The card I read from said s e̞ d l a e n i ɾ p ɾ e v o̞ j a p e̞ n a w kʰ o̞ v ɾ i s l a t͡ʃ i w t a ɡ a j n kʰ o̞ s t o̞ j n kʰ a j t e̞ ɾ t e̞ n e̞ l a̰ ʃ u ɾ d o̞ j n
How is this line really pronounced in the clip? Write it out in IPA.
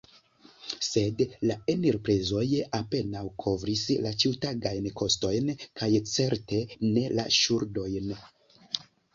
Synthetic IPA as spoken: s e̞ d l a e n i ɾ p ɾ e z o̞ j a p e̞ n a w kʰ o̞ v ɾ i s l a t͡ʃ i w t a ɡ a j n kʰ o̞ s t o̞ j n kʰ a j t͡s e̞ ɾ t e̞ n e̞ l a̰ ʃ u ɾ d o̞ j n

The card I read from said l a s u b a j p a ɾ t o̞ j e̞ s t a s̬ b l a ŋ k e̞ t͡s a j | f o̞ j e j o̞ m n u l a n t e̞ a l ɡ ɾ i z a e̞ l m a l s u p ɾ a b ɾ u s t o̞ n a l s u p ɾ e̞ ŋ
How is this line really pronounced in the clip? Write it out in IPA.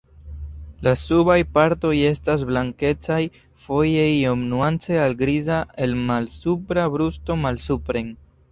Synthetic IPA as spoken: l a s u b a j p a ɾ t o̞ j e̞ s t a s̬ b l a ŋ k e̞ t͡s a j | f o̞ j e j o̞ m n u a n t͡s e̞ a l ɡ ɾ i z a e̞ l m a l s u p ɾ a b ɾ u s t o̞ m a l s u p ɾ e̞ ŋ

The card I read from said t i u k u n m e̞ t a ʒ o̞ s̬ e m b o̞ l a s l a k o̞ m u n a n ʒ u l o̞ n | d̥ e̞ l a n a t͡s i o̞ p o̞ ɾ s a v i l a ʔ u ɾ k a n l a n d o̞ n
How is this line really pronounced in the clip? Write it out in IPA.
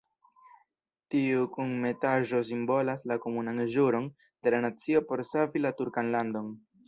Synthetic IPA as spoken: t i u k u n m e̞ t a ʒ o̞ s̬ i m b o̞ l a s l a k o̞ m u n a n ʒ u ɾ o̞ n | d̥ e̞ l a n a t͡s i o̞ p o̞ ɾ s a v i l a t u ɾ k a n l a n d o̞ n

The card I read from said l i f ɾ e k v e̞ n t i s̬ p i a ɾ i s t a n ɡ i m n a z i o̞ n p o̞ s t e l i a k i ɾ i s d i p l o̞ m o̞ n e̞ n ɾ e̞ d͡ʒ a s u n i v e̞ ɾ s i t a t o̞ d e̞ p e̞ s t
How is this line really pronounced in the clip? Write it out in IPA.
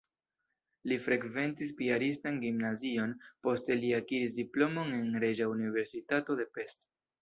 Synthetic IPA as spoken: l i f ɾ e k v e̞ n t i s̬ p i a ɾ i s t a n ɡ i m n a z i o̞ n p o̞ s t e l i a k i ɾ i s d i p l o̞ m o̞ n e̞ n ɾ e̞ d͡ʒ a u n i v e̞ ɾ s i t a t o̞ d e̞ p e̞ s t

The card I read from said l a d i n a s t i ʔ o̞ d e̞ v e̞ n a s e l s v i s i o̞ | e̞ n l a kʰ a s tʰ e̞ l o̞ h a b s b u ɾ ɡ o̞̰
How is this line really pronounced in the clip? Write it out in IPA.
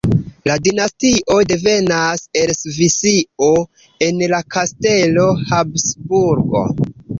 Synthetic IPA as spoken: l a d i n a s t i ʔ o̞ d e̞ v e̞ n a s e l s v i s i o̞ | e̞ n l a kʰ a s t e̞ l o̞ h a b s b u ɾ ɡ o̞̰

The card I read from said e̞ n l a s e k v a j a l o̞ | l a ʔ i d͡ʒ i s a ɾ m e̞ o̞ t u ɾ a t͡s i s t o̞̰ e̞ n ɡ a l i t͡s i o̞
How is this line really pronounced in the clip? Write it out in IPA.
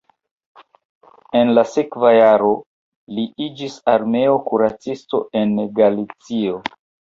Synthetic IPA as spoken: e̞ n l a s e k v a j a ɾ o̞ | l i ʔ i d͡ʒ i s a ɾ m e̞ o̞ k u ɾ a t͡s i s t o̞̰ e̞ n ɡ a l i t͡s i o̞

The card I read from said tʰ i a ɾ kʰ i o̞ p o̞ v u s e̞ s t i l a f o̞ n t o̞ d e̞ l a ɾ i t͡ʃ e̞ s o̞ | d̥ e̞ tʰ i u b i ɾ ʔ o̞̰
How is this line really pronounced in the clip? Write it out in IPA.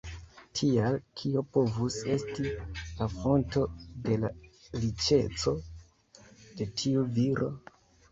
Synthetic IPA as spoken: tʰ i a l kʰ i o̞ p o̞ v u s e̞ s t i l a f o̞ n t o̞ d e̞ l a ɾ i t͡ʃ e̞ t͡s o̞ | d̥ e̞ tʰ i u v i ɾ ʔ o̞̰

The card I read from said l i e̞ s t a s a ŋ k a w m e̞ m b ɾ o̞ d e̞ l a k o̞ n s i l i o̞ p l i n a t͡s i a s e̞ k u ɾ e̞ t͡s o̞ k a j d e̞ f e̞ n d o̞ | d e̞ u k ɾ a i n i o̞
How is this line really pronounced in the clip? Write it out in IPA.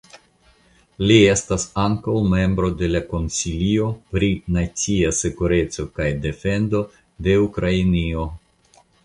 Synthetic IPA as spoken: l i e̞ s t a s a ŋ k a w m e̞ m b ɾ o̞ d e̞ l a k o̞ n s i l i o̞ p ɾ i n a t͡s i a s e̞ k u ɾ e̞ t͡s o̞ k a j d e̞ f e̞ n d o̞ | d e̞ u k ɾ a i n i o̞

